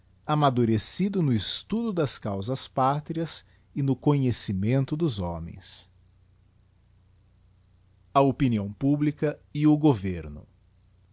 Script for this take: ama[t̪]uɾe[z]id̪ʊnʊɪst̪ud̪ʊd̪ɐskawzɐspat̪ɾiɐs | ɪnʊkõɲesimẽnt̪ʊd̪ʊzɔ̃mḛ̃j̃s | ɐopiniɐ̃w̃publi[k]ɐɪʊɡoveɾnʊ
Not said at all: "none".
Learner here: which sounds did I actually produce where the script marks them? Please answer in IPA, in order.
d̪, s, k

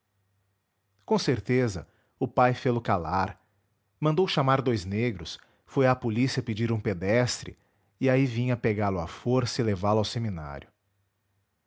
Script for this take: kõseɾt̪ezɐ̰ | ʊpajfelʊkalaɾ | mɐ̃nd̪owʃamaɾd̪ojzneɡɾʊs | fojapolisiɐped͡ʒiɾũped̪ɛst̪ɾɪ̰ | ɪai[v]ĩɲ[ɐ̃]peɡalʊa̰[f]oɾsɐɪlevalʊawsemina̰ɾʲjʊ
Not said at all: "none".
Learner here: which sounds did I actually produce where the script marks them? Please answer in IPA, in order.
v, ɐ, f

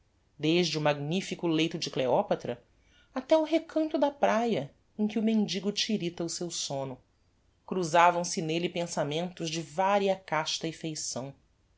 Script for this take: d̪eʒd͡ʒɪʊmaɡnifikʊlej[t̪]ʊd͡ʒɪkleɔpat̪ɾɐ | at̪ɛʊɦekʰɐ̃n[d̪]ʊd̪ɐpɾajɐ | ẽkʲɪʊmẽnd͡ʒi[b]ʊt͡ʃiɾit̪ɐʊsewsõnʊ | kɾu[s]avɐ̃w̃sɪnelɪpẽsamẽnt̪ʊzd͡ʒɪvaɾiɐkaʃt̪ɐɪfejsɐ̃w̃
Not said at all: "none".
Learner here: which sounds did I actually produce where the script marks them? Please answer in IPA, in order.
t̪, t̪, ɡ, z

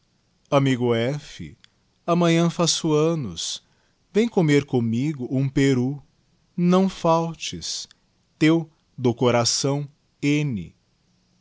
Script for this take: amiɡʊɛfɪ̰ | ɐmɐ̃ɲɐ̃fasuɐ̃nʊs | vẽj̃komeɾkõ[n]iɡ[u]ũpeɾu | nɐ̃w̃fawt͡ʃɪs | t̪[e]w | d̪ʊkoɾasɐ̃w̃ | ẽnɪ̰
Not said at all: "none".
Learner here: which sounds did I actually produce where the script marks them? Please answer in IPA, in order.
m, ʊ, e

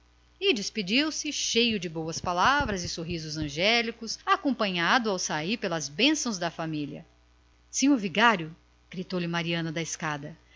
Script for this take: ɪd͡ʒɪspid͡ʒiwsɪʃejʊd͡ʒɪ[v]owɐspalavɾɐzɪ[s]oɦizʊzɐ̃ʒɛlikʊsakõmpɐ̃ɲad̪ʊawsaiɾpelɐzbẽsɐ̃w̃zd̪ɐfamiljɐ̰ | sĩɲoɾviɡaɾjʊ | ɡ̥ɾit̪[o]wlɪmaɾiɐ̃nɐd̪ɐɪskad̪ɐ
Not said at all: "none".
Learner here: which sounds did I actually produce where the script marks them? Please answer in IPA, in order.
b, s, o

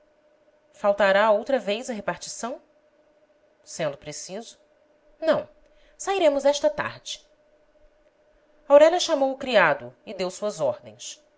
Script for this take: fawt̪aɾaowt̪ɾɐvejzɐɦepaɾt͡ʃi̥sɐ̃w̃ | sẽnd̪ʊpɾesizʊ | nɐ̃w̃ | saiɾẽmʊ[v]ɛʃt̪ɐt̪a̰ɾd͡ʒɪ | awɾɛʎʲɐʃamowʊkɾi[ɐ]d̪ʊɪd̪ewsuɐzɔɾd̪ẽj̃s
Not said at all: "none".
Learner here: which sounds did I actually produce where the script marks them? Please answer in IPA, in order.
z, a

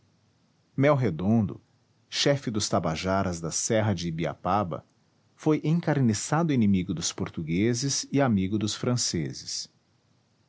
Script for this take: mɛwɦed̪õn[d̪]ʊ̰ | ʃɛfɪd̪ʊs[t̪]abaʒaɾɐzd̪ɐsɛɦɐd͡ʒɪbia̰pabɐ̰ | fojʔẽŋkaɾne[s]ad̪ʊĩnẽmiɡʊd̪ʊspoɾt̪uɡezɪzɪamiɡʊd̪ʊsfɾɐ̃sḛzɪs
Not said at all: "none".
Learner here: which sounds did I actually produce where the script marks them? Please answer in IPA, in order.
d̪, t̪, s

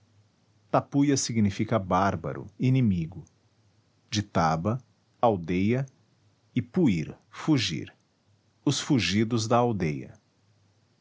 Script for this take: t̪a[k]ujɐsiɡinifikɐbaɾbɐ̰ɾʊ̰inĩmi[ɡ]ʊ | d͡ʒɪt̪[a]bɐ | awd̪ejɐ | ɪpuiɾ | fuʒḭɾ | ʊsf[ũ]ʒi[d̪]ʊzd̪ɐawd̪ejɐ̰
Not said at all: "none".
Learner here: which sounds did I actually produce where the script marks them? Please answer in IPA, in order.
p, ɡ, a, u, d̪

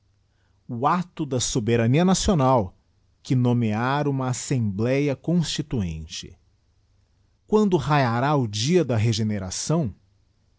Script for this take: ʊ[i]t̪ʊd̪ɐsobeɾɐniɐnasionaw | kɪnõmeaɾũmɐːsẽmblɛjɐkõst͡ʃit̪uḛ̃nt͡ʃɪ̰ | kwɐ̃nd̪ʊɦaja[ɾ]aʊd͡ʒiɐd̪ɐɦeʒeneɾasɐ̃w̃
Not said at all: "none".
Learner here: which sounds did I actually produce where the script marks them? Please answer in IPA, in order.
a, ɾ

